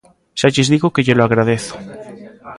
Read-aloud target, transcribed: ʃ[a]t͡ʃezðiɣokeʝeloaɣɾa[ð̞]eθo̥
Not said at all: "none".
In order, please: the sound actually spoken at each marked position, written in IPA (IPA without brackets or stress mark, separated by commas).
a, ð̞